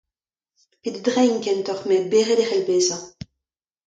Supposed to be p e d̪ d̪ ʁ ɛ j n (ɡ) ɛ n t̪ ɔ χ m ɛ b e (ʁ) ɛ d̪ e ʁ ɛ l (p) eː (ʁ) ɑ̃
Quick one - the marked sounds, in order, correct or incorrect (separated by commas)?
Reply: incorrect, correct, incorrect, incorrect